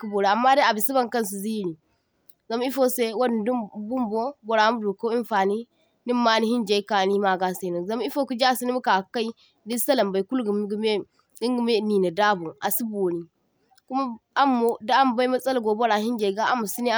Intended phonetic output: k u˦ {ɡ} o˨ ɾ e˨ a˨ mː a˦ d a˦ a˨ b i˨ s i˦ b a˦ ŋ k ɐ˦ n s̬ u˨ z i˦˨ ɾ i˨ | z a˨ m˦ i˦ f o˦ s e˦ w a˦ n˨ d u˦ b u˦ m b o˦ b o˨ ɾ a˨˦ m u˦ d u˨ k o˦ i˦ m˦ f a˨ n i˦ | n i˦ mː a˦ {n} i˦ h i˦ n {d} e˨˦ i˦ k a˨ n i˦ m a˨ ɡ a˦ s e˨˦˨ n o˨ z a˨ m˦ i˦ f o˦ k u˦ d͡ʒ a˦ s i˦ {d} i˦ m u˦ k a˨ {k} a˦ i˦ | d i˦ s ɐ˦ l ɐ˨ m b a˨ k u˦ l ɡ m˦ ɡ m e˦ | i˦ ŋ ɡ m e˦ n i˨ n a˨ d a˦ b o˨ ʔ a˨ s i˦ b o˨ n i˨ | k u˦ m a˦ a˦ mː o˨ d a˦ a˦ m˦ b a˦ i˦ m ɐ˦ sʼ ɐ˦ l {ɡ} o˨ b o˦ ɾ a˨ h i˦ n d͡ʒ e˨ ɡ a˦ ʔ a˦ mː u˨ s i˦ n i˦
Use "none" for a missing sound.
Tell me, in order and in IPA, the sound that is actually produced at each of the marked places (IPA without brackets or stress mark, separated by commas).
b, n, d͡ʒ, n, k, ɡ